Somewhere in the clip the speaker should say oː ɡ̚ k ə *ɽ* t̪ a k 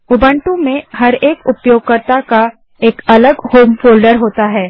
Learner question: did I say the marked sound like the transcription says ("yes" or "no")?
no